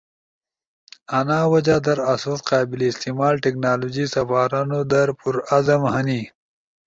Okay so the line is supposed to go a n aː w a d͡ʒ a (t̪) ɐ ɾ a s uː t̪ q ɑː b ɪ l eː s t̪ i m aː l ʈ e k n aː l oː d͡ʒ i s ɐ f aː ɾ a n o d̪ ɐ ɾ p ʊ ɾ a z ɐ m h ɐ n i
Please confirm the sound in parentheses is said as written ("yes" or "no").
no